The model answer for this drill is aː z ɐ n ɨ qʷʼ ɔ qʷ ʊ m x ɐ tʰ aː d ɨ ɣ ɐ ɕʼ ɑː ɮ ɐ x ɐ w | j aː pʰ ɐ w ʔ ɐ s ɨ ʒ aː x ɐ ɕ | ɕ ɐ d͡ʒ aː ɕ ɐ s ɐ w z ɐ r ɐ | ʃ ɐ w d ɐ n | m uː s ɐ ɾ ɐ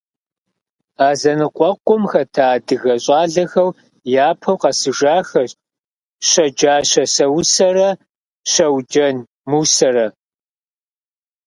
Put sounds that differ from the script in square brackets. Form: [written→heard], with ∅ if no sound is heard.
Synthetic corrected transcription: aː z ɐ n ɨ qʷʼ ɔ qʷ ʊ m x ɐ tʰ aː d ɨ ɣ ɐ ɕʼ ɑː ɮ ɐ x ɐ w | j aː pʰ ɐ w [ʔ→q] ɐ s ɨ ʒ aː x ɐ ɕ | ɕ ɐ d͡ʒ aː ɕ ɐ s ɐ w [z→s] ɐ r ɐ | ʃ ɐ w [d→d͡ʒ] ɐ n | m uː s ɐ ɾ ɐ